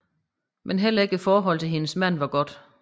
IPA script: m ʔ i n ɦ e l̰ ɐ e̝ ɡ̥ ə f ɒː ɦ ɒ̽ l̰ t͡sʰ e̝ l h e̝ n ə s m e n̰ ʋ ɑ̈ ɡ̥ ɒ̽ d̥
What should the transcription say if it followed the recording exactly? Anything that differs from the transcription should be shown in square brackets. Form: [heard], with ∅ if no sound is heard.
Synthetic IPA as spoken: m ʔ [e] n ɦ e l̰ ɐ e̝ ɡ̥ ə f ɒː ɦ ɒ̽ l̰ t͡sʰ e̝ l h e̝ n ə s m [æ] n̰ ʋ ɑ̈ ɡ̥ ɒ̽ d̥